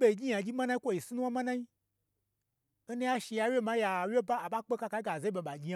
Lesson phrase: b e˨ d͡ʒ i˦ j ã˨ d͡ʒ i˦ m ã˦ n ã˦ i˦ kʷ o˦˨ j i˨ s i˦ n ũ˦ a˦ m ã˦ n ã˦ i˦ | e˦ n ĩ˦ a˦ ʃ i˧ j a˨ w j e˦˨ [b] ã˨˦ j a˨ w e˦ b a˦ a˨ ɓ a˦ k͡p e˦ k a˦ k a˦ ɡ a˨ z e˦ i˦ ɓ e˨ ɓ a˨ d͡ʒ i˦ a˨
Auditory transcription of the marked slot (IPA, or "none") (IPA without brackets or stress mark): m